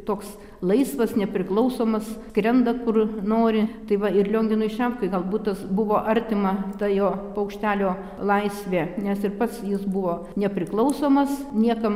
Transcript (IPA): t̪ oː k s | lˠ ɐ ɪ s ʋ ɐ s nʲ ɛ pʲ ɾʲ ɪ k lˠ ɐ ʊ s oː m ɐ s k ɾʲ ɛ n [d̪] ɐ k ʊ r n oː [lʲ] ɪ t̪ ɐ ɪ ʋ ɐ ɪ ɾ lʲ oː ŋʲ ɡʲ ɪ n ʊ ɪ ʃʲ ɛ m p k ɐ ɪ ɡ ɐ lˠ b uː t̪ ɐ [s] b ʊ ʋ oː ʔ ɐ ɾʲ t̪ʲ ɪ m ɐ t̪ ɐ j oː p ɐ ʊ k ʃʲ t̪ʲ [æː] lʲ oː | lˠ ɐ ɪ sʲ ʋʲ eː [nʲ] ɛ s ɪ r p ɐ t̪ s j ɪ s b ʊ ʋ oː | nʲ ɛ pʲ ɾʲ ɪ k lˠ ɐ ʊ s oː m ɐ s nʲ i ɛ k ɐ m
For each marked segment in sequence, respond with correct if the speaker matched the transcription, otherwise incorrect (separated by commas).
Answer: correct, incorrect, correct, correct, correct